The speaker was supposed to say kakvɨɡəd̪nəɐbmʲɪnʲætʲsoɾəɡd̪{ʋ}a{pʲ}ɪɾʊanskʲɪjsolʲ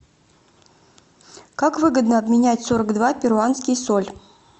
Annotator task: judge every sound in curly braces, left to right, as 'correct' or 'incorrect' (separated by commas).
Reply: incorrect, correct